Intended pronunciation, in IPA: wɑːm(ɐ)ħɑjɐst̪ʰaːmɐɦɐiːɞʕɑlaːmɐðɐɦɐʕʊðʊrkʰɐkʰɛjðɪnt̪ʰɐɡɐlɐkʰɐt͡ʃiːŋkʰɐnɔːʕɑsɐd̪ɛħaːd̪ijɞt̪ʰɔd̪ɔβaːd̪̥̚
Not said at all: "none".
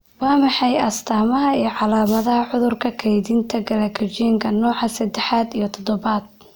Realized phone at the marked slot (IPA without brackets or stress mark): ɑ